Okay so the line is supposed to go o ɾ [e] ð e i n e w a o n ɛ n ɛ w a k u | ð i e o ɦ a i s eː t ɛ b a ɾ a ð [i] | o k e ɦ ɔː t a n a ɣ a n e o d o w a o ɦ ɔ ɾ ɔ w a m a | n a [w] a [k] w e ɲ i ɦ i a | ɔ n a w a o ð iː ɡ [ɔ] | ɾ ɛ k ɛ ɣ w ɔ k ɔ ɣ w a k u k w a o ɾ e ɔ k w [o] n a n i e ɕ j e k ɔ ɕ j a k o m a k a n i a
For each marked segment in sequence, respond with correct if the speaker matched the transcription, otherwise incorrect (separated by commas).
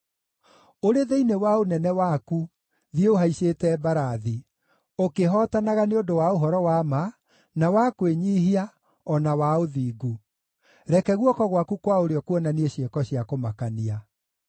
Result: correct, correct, correct, correct, incorrect, incorrect